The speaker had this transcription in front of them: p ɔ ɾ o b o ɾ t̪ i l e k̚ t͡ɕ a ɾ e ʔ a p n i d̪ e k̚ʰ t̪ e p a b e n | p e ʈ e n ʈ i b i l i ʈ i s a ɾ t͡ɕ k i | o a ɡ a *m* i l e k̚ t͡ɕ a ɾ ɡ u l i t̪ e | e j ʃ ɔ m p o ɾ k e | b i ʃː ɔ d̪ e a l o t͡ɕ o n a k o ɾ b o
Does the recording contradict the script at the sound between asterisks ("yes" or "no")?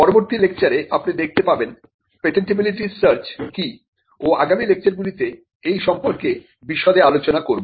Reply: no